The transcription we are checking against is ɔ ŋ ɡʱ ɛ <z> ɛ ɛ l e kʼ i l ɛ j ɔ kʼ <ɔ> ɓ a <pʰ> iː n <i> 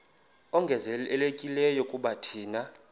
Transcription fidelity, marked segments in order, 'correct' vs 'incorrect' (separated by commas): correct, incorrect, incorrect, incorrect